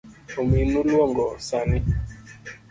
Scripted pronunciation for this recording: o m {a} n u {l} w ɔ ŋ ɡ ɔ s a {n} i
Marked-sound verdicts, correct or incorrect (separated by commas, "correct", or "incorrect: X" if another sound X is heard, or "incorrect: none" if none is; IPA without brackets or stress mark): incorrect: i, correct, correct